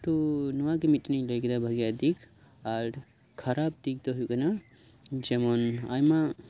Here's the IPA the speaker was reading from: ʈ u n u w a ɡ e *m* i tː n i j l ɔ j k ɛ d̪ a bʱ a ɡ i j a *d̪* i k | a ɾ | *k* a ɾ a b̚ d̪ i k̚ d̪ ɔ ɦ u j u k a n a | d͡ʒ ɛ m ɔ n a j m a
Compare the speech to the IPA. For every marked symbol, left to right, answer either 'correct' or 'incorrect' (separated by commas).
correct, correct, incorrect